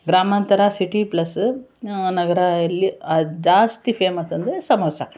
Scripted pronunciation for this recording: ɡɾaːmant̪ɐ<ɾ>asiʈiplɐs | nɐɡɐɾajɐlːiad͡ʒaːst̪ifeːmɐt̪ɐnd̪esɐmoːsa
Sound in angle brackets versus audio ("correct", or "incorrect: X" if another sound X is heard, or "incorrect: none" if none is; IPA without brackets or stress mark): correct